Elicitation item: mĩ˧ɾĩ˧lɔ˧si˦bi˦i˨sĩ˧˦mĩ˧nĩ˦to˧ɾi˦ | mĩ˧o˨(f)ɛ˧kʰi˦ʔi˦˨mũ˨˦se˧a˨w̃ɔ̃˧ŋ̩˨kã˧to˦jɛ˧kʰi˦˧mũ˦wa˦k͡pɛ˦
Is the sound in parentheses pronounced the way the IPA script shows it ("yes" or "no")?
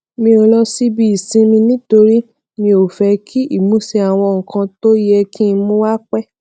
yes